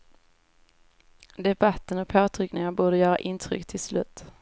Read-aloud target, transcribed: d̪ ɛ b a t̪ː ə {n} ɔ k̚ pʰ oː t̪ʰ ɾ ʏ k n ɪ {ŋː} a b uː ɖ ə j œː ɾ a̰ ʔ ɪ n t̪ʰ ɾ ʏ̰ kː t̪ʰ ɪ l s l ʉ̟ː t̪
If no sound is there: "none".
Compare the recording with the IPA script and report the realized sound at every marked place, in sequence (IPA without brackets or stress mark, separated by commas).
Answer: n, ŋ